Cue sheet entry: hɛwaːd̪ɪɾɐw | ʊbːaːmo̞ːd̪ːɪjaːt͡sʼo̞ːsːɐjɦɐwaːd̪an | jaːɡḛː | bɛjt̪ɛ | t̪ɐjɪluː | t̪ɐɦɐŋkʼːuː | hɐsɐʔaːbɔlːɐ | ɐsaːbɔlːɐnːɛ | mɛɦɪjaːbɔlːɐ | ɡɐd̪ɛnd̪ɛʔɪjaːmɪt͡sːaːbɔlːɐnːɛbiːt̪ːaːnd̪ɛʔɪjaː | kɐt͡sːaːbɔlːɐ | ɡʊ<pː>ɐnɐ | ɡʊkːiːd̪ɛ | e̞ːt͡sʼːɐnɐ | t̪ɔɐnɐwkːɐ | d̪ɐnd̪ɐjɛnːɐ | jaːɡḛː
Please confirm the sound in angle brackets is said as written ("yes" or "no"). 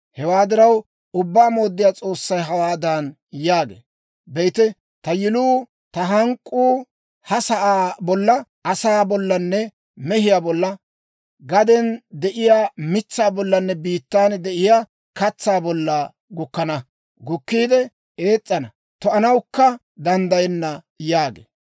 no